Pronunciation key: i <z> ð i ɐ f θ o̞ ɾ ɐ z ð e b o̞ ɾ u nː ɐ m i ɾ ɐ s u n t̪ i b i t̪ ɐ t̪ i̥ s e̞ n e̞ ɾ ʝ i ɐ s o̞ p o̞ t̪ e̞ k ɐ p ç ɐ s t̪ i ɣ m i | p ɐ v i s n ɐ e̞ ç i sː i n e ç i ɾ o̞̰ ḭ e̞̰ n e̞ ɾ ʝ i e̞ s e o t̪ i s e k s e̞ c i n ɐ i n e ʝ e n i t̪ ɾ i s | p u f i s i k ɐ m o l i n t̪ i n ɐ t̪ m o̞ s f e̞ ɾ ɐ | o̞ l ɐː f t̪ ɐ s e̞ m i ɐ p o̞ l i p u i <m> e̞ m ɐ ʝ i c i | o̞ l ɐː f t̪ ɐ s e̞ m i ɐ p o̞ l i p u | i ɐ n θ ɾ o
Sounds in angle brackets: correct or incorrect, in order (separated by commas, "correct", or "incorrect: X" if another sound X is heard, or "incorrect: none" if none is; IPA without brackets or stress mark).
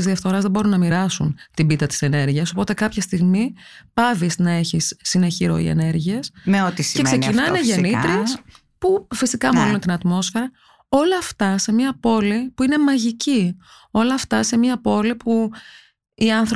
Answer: correct, incorrect: n